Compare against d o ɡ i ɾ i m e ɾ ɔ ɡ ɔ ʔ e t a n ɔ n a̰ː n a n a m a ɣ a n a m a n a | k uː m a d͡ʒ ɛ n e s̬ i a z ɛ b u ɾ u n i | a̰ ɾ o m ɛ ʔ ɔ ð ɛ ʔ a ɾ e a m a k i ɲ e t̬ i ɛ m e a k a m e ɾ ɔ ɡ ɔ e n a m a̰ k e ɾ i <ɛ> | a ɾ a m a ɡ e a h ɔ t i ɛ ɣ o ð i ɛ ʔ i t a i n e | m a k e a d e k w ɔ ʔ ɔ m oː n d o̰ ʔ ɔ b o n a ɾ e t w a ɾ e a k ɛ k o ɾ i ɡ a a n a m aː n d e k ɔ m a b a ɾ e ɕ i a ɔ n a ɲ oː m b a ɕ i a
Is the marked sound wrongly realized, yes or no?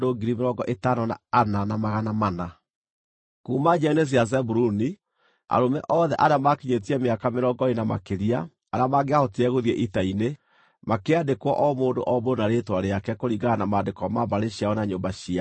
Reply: yes